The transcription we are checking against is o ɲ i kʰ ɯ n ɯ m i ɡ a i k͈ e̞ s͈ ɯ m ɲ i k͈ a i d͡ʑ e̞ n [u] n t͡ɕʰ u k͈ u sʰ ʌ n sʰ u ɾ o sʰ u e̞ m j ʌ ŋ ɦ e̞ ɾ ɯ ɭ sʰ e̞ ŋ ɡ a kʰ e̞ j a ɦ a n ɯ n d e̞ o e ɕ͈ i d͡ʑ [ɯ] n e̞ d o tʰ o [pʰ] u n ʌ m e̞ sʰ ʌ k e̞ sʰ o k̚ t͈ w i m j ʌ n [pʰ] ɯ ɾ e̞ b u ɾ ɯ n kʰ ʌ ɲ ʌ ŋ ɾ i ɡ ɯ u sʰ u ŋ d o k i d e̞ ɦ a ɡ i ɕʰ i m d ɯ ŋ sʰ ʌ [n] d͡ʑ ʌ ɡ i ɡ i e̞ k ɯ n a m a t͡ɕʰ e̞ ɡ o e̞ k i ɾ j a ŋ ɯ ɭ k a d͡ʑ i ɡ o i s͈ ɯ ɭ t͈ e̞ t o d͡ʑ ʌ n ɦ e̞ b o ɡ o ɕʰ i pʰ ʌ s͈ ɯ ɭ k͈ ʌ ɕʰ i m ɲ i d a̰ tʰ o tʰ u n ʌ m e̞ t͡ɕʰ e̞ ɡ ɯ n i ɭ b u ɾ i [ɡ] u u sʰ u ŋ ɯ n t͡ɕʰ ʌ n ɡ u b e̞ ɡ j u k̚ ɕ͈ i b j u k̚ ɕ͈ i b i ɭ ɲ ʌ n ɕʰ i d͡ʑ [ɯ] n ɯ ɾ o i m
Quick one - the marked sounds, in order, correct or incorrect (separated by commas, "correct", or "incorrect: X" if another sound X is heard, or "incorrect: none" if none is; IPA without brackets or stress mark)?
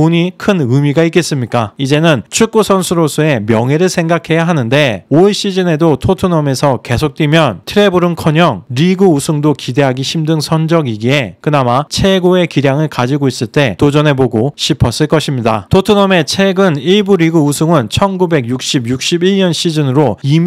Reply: incorrect: ɯ, correct, incorrect: tʰ, incorrect: tʰ, correct, correct, correct